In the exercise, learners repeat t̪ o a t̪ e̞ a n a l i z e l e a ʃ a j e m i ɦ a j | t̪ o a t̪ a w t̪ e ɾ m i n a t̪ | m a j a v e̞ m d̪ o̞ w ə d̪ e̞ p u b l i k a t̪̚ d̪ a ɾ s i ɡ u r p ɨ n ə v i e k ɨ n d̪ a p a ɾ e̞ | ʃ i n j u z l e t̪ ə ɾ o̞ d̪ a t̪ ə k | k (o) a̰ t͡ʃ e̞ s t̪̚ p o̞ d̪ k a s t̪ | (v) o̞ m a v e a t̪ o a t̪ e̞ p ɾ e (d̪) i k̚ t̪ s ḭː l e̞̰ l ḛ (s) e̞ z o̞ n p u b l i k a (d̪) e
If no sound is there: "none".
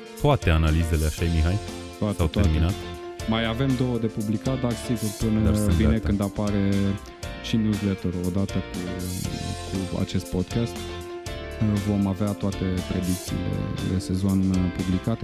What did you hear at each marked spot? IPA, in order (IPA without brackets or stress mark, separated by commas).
u, v, d̪, s, t̪